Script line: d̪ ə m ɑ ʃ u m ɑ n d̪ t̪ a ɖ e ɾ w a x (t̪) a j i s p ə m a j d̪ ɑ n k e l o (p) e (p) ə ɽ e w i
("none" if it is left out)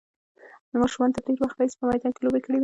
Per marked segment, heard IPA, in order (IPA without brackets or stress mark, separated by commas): t̪, b, k